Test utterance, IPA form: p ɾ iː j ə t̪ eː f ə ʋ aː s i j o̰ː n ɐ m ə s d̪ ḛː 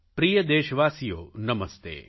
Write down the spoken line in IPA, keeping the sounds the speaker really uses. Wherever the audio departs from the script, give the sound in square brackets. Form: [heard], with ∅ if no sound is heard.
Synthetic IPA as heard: p ɾ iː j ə [d̪] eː [ʃ] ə ʋ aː s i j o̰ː n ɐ m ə s [t̪] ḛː